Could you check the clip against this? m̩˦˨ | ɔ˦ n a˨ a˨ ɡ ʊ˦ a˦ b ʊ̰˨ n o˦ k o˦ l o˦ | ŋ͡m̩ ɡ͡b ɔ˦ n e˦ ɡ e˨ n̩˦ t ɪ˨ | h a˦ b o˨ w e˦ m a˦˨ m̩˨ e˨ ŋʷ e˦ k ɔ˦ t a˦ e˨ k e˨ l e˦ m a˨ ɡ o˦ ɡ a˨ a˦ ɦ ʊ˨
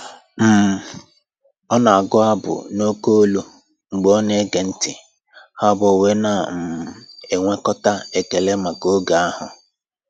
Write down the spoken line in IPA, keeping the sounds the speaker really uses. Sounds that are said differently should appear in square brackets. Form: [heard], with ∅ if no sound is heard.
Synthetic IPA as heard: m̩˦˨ | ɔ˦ n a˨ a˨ ɡ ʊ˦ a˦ b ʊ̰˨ n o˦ k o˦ l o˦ | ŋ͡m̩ ɡ͡b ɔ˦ n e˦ ɡ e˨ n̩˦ t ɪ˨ | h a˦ b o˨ w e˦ [n] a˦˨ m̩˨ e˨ ŋʷ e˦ k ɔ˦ t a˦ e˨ k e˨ l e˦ m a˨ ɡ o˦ ɡ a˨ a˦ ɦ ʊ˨